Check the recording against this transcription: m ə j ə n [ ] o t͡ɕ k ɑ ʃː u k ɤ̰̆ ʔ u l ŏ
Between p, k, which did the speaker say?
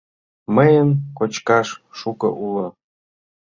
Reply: k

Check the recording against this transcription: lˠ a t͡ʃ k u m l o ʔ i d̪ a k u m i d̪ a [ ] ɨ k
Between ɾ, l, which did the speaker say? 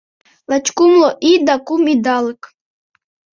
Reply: l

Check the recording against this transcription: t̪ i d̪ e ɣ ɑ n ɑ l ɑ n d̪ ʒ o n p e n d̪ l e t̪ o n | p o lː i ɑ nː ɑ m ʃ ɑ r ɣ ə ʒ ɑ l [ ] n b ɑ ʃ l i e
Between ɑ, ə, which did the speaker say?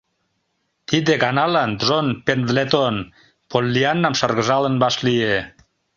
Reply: ə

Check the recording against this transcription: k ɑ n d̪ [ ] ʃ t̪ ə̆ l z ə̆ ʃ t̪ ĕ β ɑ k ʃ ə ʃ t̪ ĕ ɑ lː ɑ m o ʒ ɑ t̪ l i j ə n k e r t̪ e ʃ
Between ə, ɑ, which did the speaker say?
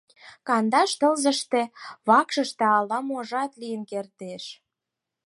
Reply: ɑ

